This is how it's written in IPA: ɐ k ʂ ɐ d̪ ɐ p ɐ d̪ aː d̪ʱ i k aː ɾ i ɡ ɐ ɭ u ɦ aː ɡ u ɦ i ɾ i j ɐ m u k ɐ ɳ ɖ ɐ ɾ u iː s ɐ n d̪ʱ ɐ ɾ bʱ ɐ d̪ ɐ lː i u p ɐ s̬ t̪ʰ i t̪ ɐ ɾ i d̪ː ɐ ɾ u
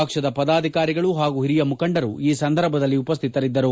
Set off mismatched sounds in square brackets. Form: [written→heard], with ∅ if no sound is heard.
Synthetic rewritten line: ɐ k ʂ ɐ d̪ ɐ p ɐ d̪ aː d̪ʱ i k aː ɾ i ɡ ɐ ɭ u ɦ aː ɡ u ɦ i ɾ i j ɐ m u k ɐ ɳ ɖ ɐ ɾ u iː s ɐ n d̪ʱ ɐ ɾ bʱ ɐ d̪ ɐ lː i u p ɐ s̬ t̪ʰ i t̪ ɐ ɾ i d̪ː ɐ ɾ u